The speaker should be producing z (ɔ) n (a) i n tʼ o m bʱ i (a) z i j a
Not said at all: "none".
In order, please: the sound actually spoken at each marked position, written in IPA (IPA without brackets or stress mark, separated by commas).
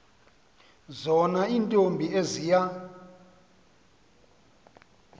ɔ, a, e